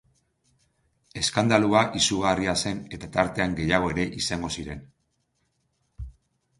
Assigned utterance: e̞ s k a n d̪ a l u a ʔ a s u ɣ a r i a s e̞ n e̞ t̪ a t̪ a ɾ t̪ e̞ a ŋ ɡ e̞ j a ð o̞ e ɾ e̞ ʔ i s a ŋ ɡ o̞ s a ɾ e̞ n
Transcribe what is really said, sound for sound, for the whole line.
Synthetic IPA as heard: e̞ s k a n d̪ a l u a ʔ i s u ɣ a r i a s e̞ n e̞ t̪ a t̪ a ɾ t̪ e̞ a ŋ ɡ e̞ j a ɣ o̞ e ɾ e̞ ʔ i s a ŋ ɡ o̞ s i ɾ e̞ n